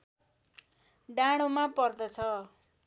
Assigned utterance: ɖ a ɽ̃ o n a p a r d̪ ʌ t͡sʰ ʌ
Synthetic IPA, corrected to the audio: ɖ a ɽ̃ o m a p ʌ r d̪ ʌ t͡sʰ ʌ

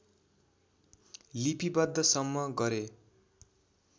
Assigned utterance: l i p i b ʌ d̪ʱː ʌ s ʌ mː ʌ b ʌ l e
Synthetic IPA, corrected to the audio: l i p i b ʌ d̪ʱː ʌ s ʌ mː ʌ ɡ ʌ ɾ e

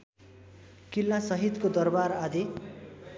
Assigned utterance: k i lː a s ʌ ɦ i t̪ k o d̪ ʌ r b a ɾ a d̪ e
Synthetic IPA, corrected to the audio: k i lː a s ʌ ɦ i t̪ k o d̪ ʌ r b a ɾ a d̪ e

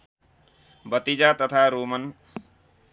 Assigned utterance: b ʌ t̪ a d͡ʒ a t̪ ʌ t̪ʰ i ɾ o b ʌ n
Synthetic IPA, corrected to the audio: b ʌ t̪ i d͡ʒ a t̪ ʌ t̪ʰ a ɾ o m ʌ n

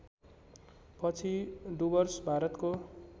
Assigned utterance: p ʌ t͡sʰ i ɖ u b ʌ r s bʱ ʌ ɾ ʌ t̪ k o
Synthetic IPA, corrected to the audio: p ʌ t͡sʰ i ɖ u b ʌ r s bʱ a ɾ ʌ t̪ k o

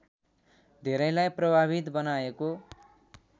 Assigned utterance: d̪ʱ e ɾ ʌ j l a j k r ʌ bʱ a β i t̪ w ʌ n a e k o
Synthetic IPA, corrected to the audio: d̪ʱ e ɾ ʌ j l a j p r ʌ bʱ a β i t̪ b ʌ n a e k o

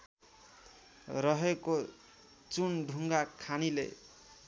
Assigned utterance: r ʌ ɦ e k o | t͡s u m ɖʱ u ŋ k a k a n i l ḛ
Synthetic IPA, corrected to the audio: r ʌ ɦ e k o | t͡s u n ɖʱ u ŋ ɡ a kʰ a n i l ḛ

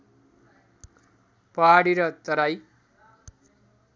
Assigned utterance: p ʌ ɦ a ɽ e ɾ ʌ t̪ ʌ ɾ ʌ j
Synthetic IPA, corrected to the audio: p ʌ ɦ a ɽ i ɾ ʌ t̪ ʌ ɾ a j

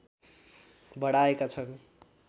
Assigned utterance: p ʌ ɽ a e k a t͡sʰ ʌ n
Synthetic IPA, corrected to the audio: b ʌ ɽ a e k a t͡sʰ ʌ n

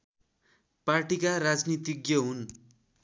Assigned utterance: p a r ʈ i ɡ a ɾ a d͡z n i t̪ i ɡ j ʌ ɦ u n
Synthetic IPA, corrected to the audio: p a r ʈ i k a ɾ a d͡z n i t̪ i ɡ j ʌ ɦ u n

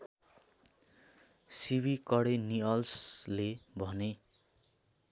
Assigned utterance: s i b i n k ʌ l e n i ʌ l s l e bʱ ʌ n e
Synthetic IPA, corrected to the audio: s i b i k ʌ ɽ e n i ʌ l s l e bʱ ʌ n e

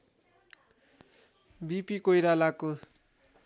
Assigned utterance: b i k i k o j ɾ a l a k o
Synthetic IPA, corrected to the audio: b i p i k o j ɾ a l a k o

